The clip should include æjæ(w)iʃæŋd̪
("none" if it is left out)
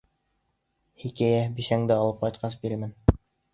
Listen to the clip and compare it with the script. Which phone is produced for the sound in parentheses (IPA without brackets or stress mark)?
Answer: b